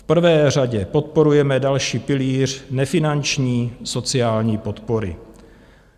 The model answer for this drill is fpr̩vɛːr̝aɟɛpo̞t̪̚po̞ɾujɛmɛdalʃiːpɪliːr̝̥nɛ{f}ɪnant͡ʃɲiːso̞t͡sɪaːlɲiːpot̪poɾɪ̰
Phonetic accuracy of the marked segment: correct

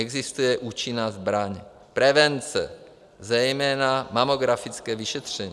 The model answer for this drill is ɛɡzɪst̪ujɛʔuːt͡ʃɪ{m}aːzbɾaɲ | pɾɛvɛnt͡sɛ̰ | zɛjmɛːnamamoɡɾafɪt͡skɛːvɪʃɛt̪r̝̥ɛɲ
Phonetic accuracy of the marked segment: incorrect: n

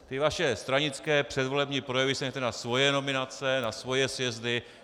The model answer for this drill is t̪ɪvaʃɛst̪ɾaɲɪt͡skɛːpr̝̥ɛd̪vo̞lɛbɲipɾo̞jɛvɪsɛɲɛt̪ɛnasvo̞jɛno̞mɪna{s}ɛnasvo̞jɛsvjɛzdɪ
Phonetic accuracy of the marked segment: incorrect: t͡s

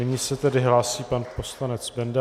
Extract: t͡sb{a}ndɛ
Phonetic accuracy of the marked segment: incorrect: ɛ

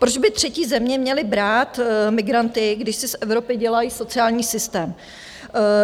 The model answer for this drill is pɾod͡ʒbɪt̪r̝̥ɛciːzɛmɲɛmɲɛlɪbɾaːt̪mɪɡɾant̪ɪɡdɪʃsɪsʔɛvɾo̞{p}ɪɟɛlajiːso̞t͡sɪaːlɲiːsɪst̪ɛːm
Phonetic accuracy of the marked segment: correct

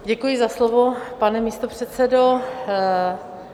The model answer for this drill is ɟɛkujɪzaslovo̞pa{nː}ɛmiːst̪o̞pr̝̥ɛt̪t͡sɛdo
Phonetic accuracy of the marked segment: incorrect: n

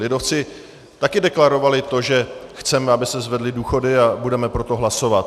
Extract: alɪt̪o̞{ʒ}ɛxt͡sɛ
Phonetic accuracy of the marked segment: correct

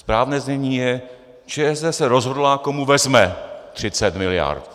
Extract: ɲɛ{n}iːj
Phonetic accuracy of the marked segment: incorrect: ɲ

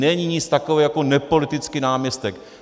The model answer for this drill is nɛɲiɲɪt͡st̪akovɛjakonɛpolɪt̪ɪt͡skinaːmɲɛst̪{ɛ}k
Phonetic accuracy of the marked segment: correct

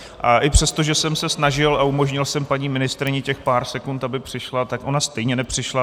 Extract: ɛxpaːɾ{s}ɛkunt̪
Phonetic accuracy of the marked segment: correct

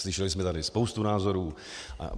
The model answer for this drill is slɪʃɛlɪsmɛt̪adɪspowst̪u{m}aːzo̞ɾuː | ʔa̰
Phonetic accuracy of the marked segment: incorrect: n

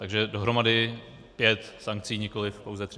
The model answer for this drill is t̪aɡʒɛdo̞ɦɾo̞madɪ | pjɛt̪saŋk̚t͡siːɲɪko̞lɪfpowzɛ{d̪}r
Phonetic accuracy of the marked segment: incorrect: t̪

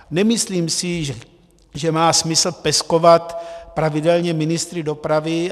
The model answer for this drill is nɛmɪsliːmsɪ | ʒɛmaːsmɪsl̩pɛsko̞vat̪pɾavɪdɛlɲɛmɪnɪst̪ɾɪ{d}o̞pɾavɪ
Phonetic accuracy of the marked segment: correct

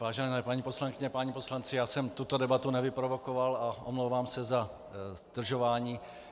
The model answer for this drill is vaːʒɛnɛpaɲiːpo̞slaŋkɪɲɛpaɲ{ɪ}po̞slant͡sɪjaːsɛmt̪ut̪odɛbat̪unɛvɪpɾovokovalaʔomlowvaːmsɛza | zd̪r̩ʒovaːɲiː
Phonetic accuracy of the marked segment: incorrect: i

